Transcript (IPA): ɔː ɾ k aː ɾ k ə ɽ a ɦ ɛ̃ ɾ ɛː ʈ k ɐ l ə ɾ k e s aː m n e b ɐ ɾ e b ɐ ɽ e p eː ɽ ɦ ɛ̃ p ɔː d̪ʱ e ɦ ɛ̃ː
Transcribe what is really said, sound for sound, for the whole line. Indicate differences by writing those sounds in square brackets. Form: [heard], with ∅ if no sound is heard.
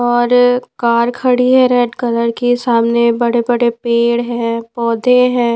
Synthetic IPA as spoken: ɔː ɾ k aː ɾ [kʰ] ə ɽ [i] ɦ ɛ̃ ɾ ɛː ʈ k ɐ l ə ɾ k e s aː m n e b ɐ [ɽ] e b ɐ ɽ e p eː ɽ ɦ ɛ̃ p ɔː d̪ʱ e ɦ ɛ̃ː